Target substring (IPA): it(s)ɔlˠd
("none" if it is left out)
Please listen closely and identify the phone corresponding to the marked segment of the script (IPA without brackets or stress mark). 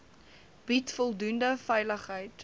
f